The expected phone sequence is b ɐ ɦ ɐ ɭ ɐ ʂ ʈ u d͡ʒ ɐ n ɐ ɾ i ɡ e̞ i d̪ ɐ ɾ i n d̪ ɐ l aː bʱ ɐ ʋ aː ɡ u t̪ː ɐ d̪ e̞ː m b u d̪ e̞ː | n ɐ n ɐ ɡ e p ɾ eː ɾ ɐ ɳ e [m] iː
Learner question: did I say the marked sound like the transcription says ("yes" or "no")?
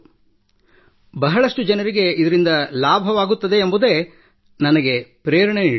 no